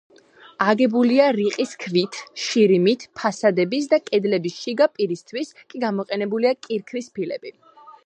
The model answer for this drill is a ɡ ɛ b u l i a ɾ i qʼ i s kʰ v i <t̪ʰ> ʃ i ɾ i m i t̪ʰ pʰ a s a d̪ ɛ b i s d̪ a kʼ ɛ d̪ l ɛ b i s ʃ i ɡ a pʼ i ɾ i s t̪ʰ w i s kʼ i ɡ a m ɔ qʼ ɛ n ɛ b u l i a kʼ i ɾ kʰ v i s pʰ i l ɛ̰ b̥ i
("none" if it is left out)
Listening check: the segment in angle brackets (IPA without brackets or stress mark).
t̪ʰ